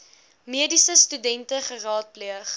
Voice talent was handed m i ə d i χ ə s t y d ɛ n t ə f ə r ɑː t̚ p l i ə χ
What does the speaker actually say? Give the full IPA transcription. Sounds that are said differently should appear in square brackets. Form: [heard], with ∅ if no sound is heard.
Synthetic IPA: m i ə d i [s] ə s t y d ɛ n t ə [χ] ə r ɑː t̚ p l i ə χ